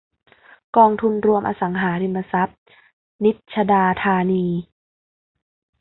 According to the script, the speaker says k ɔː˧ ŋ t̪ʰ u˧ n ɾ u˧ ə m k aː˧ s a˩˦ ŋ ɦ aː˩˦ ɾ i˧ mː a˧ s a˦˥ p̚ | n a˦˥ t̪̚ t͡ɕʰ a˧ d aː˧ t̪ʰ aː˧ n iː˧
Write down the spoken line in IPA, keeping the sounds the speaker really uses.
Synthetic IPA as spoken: k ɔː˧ ŋ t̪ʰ u˧ n ɾ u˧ ə m ʔ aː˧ s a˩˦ ŋ ɦ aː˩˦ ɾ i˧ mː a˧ s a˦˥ p̚ | n i˦˥ t̪̚ t͡ɕʰ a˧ d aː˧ t̪ʰ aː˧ n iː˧